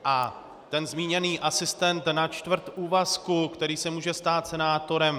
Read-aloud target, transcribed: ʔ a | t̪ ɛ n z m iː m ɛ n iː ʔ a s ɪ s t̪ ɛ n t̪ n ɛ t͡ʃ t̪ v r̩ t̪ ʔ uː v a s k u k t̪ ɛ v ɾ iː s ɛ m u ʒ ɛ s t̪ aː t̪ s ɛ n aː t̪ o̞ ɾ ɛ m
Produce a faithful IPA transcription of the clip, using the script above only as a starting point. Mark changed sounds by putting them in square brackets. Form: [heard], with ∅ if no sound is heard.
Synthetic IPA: ʔ a | t̪ ɛ n z m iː [ɲ] ɛ n iː ʔ a s ɪ s t̪ ɛ n t̪ n [a] t͡ʃ t̪ v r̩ t̪ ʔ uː v a s k u k t̪ ɛ [∅] ɾ iː s ɛ m [uː] ʒ ɛ s t̪ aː t̪ s ɛ n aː t̪ o̞ ɾ ɛ m

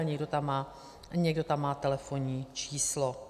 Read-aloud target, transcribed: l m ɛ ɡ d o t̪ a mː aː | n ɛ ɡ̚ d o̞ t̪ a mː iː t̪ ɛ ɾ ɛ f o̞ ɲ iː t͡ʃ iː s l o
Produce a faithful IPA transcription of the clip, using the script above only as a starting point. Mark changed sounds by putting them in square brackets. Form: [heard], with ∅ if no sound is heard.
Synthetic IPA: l [ɲ] ɛ ɡ d o t̪ a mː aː | [ɲ] ɛ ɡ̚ d o̞ t̪ a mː [aː] t̪ ɛ [l] ɛ f o̞ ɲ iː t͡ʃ iː s l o

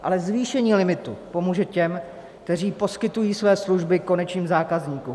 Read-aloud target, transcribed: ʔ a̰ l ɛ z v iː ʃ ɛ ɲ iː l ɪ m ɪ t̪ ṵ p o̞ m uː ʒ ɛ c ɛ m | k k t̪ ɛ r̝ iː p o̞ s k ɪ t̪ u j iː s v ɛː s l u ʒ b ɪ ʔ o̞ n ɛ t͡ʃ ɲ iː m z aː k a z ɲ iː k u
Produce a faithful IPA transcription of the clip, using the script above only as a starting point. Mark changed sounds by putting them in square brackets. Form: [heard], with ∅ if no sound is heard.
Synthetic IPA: ʔ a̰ l ɛ z v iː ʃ ɛ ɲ iː l ɪ m ɪ t̪ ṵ p o̞ m uː ʒ ɛ c ɛ m | k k t̪ ɛ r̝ iː p o̞ s k ɪ t̪ u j iː s v ɛː s l u ʒ b ɪ [k] o̞ n ɛ t͡ʃ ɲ iː m z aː k a z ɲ iː k u

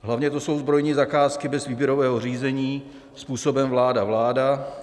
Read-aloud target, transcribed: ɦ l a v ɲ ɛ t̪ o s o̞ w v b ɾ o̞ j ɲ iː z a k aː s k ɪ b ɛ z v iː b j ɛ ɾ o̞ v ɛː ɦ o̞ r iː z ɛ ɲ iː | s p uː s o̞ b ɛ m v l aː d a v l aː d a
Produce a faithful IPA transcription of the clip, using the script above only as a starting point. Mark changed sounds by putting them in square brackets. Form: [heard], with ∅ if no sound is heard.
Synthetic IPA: ɦ l a v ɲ ɛ t̪ o s o̞ w [z] b ɾ o̞ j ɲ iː z a k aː s k ɪ b ɛ z v iː b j ɛ ɾ o̞ v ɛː ɦ o̞ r iː z ɛ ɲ iː | s p uː s o̞ b ɛ m v l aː d a v l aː d a

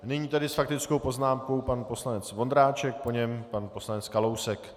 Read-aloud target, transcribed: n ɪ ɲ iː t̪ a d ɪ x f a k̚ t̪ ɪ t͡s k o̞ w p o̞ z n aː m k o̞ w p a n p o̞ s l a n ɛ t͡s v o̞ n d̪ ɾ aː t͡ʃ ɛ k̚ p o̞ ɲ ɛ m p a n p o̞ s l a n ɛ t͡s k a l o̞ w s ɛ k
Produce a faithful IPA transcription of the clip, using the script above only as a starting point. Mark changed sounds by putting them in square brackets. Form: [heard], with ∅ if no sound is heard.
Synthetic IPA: n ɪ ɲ iː t̪ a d ɪ [s] f a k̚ t̪ ɪ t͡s k o̞ w p o̞ z n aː m k o̞ w p a n p o̞ s l a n ɛ t͡s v o̞ n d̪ ɾ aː t͡ʃ ɛ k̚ p o̞ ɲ ɛ m p a n p o̞ s l a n ɛ t͡s k a l o̞ w s ɛ k

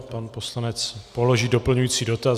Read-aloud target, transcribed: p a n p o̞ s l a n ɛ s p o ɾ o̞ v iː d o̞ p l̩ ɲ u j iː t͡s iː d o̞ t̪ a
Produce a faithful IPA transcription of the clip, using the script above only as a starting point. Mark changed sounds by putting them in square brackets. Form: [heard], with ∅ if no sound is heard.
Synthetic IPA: p a n p o̞ s l a n ɛ [t͡s] p o [l] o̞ [ʒ] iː d o̞ p l̩ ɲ u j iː t͡s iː d o̞ t̪ a

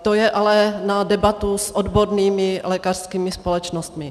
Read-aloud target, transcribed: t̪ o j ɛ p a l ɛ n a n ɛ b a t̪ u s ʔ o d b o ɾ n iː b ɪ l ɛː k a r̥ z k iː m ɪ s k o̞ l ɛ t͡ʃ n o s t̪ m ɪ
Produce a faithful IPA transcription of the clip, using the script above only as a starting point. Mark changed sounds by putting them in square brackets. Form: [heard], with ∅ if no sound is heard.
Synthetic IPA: t̪ o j ɛ [ʔ] a l ɛ n a [d] ɛ b a t̪ u s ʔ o d b o ɾ n iː [m] ɪ l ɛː k a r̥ [s] k iː m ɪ s [p] o̞ l ɛ t͡ʃ n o s t̪ m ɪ

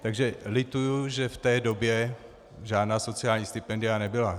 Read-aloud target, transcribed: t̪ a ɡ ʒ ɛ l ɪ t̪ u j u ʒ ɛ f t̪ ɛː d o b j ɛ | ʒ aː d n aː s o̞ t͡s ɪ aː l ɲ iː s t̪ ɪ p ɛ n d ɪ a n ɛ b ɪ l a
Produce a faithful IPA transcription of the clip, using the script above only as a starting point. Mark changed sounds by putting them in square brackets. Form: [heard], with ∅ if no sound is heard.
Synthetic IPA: t̪ a ɡ ʒ ɛ l ɪ t̪ u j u ʒ ɛ f t̪ ɛː d o b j ɛ | ʒ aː d n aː s o̞ t͡s ɪ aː l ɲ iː s t̪ ɪ p ɛ n d ɪ a n ɛ b ɪ l a

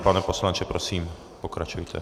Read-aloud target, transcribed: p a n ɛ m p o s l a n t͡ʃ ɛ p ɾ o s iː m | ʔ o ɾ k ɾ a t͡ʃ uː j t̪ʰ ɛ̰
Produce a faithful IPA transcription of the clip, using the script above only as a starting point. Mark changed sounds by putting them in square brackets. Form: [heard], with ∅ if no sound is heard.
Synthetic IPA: p a n ɛ [∅] p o s l a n t͡ʃ ɛ p ɾ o s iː m | [p] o [∅] k ɾ a t͡ʃ [u] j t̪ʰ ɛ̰

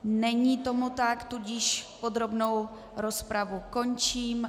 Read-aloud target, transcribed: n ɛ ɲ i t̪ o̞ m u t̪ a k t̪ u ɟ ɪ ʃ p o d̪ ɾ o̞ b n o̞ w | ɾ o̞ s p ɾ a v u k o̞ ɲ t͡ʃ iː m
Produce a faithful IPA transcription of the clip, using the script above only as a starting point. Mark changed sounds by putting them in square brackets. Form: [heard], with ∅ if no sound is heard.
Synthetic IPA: n ɛ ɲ i t̪ o̞ m u t̪ a k t̪ u ɟ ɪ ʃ p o d̪ ɾ o̞ b n o̞ w | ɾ o̞ s p ɾ a v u k o̞ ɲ t͡ʃ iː m

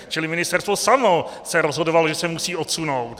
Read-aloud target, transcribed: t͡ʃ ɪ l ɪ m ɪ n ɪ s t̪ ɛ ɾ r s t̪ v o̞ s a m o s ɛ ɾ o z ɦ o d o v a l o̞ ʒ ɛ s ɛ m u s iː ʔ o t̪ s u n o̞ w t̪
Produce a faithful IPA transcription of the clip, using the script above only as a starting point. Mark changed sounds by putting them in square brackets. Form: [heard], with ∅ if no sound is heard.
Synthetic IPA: t͡ʃ ɪ l ɪ m ɪ n ɪ s t̪ ɛ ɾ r s t̪ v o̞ s a m o s ɛ ɾ o z ɦ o d o v a l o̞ ʒ ɛ s ɛ m u s iː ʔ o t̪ s u n o̞ w t̪

